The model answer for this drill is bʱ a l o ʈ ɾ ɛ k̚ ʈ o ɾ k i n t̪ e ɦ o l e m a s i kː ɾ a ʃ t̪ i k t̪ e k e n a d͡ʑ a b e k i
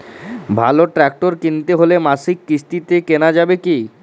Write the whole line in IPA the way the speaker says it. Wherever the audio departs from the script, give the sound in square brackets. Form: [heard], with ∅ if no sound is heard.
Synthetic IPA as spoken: bʱ a l o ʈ ɾ ɛ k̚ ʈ o ɾ k i n t̪ e ɦ o l e m a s i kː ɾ [i] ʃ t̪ i [∅] t̪ e k e n a d͡ʑ a b e k i